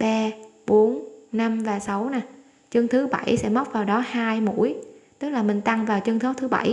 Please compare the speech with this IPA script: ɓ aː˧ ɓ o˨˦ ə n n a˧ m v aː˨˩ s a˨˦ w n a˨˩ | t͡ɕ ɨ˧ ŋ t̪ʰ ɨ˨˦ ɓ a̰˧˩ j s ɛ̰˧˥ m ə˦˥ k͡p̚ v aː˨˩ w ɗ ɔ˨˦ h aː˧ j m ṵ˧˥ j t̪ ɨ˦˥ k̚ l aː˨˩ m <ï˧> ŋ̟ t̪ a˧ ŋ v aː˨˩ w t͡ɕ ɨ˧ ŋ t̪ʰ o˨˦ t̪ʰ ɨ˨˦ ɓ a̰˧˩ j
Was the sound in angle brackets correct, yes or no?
no